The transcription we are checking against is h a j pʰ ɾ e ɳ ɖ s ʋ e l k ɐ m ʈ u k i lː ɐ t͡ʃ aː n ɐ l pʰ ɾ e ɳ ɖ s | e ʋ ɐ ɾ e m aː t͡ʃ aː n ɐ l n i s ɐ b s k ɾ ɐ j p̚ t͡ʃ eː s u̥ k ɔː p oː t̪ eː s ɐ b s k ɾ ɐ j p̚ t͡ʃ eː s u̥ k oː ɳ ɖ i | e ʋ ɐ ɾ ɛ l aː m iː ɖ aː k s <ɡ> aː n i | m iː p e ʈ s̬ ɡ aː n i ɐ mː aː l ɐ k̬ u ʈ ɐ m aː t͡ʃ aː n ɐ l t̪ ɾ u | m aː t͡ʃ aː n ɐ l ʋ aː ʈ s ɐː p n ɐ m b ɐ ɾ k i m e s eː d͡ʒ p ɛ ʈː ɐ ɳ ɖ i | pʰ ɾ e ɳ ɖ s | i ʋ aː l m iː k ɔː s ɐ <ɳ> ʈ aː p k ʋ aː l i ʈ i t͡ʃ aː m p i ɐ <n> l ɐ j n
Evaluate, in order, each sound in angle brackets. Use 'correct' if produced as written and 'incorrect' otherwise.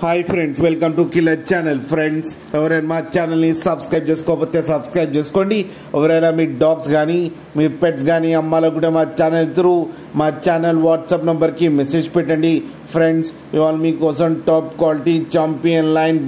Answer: correct, incorrect: m, correct

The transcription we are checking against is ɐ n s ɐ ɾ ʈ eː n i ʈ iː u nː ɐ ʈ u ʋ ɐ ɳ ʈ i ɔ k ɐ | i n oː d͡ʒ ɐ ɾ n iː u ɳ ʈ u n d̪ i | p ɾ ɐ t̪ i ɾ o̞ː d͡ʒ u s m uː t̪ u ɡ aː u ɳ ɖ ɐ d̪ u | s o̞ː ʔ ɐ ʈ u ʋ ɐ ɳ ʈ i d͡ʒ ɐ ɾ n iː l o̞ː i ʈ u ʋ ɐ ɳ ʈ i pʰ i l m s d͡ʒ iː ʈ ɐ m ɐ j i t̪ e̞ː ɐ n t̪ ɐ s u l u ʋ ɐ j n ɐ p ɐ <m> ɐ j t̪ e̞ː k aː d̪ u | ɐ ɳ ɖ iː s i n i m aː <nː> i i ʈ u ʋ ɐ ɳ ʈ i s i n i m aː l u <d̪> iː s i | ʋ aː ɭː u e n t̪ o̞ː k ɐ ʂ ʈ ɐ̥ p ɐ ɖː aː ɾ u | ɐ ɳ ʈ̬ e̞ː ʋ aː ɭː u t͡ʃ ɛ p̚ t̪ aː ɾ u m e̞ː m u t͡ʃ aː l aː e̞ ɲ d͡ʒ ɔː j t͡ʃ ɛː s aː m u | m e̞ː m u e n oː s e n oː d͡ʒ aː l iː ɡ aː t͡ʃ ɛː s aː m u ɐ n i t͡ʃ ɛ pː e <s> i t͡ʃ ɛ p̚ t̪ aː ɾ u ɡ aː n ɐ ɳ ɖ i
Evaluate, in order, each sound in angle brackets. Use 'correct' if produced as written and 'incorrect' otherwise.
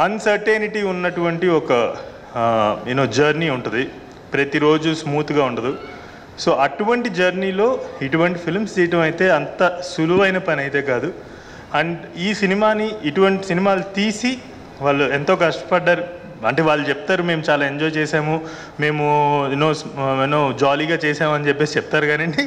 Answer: incorrect: n, incorrect: n, incorrect: t̪, correct

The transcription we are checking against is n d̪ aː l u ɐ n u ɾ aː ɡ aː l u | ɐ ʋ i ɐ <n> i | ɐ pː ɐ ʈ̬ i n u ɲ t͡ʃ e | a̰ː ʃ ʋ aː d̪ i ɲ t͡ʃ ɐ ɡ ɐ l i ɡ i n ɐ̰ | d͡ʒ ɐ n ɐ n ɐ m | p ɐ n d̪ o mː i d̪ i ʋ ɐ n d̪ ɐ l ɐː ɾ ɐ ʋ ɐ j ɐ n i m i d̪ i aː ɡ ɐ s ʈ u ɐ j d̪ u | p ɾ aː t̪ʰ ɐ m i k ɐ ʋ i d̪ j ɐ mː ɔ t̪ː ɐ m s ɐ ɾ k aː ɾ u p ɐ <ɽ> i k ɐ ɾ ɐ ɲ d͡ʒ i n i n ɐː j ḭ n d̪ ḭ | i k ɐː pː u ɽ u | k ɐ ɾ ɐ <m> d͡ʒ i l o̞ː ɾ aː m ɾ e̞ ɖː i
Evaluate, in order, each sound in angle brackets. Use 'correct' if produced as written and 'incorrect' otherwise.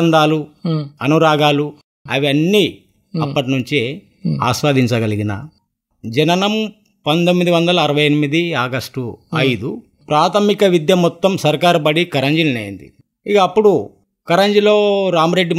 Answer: incorrect: nː, correct, incorrect: ɲ

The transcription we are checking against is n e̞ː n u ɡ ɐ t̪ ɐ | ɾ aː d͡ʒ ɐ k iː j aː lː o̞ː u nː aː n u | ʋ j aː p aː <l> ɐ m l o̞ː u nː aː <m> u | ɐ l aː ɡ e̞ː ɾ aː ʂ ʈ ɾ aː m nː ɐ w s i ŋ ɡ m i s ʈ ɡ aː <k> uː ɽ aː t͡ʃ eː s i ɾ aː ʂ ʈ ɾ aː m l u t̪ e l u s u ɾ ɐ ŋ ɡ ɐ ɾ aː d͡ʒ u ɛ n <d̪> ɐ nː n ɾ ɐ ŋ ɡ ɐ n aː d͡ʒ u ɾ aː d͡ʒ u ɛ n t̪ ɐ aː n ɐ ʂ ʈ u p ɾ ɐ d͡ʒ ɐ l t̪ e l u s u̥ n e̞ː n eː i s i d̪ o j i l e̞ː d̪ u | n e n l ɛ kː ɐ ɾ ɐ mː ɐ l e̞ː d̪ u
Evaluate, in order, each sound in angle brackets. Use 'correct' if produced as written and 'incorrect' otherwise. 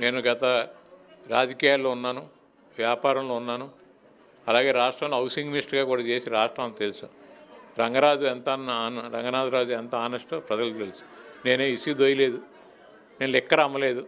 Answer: incorrect: ɾ, incorrect: n, correct, incorrect: t̪

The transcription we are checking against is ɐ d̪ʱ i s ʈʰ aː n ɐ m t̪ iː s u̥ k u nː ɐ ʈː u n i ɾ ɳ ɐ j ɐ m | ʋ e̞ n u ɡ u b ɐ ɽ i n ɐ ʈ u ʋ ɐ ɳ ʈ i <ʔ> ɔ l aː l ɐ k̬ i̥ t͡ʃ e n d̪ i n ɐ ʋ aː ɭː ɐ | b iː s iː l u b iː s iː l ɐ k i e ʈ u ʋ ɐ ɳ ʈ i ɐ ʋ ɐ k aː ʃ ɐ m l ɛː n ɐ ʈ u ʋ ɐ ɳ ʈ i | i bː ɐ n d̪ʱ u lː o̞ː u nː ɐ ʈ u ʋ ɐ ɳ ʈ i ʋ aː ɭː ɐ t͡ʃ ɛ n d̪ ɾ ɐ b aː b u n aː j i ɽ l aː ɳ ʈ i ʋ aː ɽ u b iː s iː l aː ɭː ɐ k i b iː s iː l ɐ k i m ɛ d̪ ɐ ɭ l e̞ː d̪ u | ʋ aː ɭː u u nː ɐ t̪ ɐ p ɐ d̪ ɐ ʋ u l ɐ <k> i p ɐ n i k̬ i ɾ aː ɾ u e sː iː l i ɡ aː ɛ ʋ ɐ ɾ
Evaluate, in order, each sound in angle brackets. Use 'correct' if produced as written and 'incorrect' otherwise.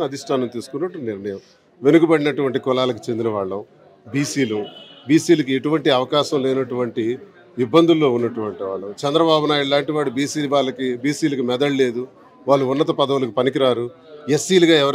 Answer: incorrect: k, correct

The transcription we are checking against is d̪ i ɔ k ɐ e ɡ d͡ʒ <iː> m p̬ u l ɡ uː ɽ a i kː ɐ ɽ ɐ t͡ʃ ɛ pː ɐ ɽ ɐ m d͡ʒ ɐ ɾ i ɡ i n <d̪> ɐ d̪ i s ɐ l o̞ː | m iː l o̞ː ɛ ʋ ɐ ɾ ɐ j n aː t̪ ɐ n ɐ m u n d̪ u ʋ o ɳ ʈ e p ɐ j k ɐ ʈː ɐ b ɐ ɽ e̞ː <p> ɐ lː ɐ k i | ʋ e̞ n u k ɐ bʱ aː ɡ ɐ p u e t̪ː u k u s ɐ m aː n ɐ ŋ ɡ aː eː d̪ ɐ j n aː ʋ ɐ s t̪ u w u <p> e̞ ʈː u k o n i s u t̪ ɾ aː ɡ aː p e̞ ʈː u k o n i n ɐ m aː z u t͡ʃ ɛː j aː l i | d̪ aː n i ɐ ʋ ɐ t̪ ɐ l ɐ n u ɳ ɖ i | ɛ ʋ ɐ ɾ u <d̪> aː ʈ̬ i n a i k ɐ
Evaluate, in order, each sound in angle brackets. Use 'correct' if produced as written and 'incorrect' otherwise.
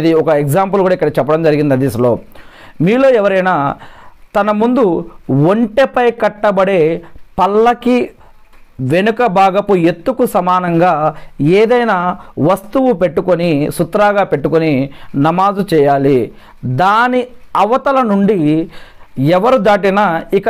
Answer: incorrect: aː, correct, correct, correct, correct

